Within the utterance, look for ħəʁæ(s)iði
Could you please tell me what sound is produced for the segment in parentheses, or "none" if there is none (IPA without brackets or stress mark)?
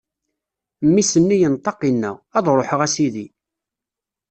s